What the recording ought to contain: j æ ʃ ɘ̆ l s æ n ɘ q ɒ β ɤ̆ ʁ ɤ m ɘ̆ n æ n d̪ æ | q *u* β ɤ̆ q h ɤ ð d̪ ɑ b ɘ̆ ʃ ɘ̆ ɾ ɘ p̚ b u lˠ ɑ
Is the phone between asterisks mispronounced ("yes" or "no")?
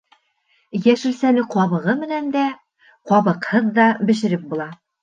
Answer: yes